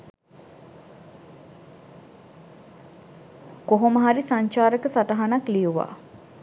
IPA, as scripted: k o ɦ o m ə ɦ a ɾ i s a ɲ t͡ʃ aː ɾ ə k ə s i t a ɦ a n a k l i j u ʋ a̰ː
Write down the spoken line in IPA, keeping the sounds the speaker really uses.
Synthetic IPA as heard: k o ɦ o m ə ɦ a ɾ i s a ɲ t͡ʃ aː ɾ ə k ə s a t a ɦ a n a k l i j u ʋ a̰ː